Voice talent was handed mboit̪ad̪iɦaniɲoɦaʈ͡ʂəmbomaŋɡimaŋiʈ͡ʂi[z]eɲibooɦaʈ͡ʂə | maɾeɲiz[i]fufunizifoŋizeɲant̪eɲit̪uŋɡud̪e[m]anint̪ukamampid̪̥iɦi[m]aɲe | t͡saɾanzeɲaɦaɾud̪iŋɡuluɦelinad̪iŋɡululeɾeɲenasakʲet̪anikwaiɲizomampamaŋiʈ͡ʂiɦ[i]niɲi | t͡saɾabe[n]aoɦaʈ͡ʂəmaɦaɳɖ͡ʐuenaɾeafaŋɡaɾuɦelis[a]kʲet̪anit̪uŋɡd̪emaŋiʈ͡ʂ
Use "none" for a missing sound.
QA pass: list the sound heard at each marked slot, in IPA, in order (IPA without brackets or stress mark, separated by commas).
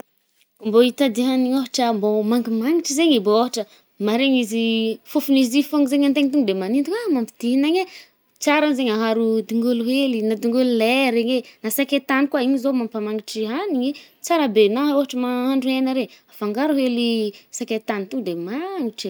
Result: z, i, m, n, a, n, a